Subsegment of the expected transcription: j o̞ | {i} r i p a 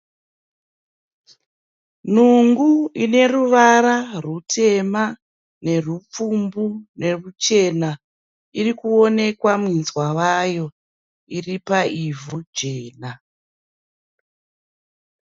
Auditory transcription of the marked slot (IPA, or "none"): i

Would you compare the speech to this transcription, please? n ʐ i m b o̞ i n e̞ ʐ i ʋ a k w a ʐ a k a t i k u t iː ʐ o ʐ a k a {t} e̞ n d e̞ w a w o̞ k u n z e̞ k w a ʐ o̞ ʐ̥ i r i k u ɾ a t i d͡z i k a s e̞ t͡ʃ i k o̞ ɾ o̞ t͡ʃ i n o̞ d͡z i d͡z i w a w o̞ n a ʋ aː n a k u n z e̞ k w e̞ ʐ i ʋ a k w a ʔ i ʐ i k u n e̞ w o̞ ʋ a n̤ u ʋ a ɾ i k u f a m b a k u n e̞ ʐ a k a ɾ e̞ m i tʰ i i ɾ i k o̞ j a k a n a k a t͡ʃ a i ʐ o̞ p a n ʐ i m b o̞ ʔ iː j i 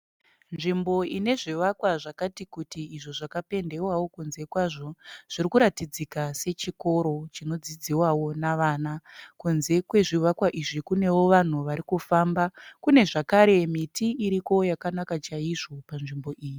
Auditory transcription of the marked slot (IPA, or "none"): p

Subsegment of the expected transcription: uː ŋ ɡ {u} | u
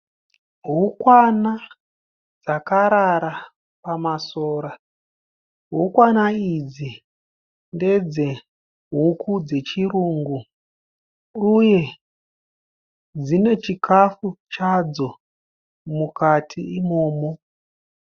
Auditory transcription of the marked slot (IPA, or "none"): u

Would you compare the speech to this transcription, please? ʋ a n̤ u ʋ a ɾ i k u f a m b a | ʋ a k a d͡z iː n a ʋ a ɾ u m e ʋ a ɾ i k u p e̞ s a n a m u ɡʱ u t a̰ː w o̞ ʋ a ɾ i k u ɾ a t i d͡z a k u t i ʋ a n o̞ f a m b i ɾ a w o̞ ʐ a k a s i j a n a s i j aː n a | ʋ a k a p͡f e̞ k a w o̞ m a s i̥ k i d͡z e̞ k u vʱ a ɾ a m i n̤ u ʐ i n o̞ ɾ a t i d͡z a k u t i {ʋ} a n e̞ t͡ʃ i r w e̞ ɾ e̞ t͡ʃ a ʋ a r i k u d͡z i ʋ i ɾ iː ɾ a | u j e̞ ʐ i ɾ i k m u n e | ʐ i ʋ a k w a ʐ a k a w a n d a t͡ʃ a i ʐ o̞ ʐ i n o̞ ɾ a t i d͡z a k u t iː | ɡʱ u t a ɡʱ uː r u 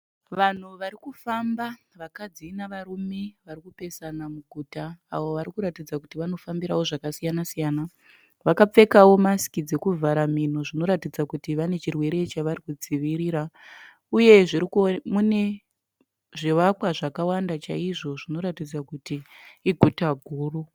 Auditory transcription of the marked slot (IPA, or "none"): ʋ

